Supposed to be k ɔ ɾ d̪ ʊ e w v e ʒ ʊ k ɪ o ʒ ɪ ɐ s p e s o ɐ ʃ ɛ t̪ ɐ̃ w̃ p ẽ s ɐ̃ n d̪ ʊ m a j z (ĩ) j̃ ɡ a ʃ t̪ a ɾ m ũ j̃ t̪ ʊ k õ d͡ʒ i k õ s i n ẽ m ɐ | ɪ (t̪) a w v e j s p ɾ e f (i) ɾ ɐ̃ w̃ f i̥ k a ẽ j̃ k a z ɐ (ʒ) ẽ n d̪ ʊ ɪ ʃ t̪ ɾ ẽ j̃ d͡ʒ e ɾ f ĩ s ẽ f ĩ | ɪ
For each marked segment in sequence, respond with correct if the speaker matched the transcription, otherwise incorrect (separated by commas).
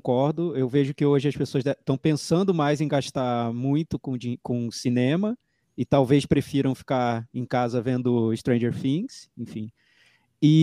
incorrect, correct, correct, incorrect